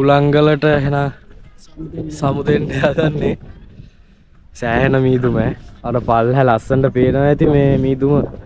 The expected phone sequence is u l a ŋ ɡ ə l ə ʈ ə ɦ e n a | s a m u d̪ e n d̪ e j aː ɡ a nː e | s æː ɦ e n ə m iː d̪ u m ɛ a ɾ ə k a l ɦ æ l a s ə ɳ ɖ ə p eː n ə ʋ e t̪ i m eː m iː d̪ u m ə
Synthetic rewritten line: u l a ŋ ɡ ə l ə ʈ ə ɦ e n a | s a m u d̪ e n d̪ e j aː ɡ a nː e | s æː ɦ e n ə m iː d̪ u m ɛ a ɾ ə p a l ɦ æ l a s ə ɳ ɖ ə p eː n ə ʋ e t̪ i m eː m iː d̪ u m ə